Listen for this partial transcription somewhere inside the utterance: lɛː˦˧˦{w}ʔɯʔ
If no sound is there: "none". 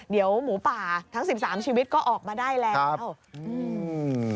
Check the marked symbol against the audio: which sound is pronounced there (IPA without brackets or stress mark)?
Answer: w